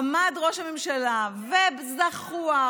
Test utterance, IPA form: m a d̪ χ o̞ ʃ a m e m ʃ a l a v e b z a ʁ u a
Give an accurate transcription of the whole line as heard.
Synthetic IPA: m a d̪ ʁ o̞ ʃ a m e m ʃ a l a v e b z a χ u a